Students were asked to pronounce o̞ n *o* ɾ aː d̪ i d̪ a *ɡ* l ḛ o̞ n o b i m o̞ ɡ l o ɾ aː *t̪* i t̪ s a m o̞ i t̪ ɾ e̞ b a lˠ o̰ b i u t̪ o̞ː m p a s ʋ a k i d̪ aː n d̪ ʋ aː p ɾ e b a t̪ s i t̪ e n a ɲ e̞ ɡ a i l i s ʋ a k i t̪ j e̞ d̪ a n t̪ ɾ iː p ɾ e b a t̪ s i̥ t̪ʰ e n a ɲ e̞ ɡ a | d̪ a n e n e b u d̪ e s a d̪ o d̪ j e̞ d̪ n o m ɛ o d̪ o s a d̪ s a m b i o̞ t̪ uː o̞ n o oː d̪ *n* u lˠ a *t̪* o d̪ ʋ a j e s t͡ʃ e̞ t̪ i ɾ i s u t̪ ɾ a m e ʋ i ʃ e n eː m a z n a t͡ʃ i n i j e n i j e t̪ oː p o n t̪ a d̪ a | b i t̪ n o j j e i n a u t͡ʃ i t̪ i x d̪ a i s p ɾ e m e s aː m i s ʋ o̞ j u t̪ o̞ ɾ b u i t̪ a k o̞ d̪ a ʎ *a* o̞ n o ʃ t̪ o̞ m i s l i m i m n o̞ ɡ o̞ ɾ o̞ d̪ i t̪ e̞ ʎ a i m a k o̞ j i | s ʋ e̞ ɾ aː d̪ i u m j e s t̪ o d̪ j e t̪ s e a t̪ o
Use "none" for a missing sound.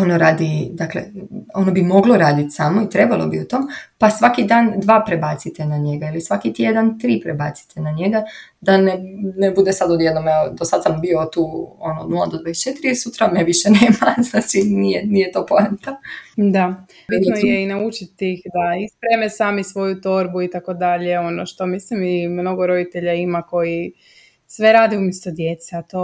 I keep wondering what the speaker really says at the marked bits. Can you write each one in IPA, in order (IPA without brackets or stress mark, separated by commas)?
o, k, d̪, n, d̪, e